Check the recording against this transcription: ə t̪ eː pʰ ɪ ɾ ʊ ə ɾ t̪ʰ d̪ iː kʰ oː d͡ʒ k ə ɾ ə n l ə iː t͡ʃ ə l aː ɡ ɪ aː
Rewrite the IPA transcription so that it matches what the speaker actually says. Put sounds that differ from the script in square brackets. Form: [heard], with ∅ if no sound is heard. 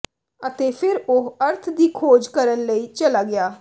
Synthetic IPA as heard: ə t̪ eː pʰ ɪ ɾ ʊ ə ɾ t̪ʰ d̪ iː kʰ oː d͡ʒ k ə ɾ ə n l ə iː t͡ʃ ə l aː ɡ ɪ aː